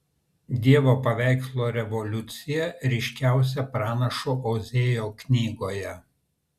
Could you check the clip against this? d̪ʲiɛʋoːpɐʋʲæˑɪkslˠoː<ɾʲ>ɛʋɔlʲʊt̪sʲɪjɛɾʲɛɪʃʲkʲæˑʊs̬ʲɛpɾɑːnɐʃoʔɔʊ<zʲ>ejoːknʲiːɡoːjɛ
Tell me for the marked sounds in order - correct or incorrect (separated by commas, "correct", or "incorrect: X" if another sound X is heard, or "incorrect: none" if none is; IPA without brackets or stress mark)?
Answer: correct, correct